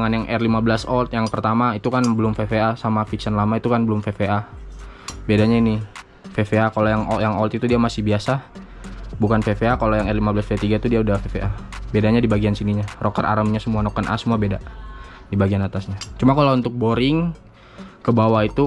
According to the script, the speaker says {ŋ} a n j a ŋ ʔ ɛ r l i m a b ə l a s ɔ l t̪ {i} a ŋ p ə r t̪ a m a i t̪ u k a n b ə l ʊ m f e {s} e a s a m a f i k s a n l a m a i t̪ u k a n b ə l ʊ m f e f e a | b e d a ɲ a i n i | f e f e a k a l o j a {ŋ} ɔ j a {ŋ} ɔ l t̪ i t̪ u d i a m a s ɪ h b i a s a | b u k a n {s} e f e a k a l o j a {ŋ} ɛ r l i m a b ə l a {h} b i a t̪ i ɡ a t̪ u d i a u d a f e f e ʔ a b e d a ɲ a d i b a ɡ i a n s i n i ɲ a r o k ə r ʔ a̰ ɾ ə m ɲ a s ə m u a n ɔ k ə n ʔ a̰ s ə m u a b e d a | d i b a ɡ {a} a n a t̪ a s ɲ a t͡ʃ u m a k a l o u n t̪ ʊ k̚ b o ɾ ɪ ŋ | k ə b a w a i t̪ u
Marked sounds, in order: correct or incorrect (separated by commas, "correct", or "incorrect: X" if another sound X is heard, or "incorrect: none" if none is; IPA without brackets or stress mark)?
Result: correct, incorrect: j, incorrect: f, correct, correct, incorrect: f, correct, incorrect: s, incorrect: i